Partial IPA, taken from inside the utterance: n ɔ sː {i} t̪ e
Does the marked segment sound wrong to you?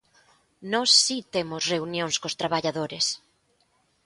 no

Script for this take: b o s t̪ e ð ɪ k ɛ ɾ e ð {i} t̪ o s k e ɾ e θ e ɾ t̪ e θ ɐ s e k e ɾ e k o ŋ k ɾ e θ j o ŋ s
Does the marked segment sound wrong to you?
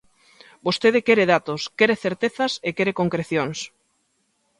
yes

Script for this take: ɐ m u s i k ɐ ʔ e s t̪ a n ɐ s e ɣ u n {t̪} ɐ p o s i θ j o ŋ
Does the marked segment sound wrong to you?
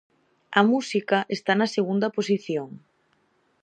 yes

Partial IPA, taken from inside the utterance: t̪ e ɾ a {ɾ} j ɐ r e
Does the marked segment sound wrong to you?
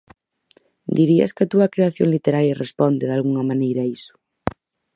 no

